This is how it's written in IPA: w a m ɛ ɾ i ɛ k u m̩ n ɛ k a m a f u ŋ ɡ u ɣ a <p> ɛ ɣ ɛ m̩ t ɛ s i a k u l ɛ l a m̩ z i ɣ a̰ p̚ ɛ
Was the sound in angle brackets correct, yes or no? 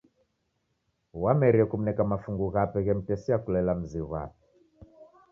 yes